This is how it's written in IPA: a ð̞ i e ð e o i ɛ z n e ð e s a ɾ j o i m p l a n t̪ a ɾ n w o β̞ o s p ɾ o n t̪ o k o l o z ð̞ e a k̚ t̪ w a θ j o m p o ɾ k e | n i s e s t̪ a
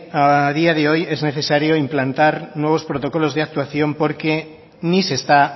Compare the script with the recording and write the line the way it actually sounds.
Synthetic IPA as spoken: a ð̞ i a ð e o j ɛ z n e θ e s a ɾ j o i m p l a n t̪ a ɾ n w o β̞ o s p ɾ o t̪ o k o l o z ð̞ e a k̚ t̪ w a θ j o m p o ɾ k e | n i s e s t̪ a